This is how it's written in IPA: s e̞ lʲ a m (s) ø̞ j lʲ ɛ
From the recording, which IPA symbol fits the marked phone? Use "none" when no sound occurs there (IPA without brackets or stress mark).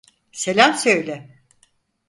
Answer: s